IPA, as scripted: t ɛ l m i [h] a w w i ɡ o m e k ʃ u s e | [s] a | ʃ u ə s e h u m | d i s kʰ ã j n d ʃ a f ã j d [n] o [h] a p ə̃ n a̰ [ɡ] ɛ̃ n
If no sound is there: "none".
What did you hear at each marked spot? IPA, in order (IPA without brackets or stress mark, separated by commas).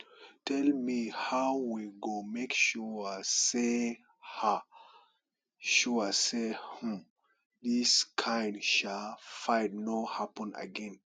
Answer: h, h, n, h, ɡ